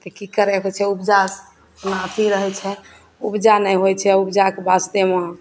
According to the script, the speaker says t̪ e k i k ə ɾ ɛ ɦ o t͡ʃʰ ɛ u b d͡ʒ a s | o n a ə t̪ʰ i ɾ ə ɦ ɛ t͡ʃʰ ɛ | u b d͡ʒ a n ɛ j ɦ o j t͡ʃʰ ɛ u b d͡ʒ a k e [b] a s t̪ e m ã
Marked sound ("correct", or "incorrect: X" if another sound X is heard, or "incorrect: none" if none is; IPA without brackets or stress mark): correct